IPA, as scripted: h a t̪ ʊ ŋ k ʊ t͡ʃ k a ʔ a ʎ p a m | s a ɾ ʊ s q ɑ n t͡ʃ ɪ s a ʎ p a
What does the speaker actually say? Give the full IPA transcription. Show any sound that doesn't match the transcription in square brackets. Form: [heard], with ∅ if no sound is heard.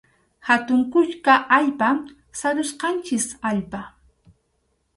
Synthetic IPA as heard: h a t̪ ʊ ŋ k ʊ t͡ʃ k a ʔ a ʎ p a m | s a ɾ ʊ s q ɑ n t͡ʃ ɪ s a ʎ p a